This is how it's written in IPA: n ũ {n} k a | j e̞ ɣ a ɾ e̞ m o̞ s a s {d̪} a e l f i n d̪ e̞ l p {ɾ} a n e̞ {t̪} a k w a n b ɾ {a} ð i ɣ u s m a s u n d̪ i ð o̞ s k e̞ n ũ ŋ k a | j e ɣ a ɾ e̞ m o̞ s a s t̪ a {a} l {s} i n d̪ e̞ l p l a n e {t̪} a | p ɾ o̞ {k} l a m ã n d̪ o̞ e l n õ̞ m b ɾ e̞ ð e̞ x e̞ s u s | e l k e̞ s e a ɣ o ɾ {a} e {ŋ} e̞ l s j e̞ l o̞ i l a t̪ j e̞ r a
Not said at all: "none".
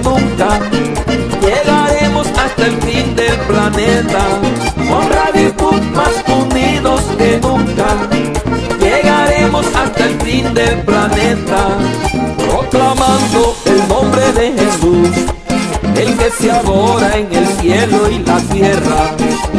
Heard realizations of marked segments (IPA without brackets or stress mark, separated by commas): ŋ, t̪, l, t̪, a, e, f, t̪, k, a, ŋ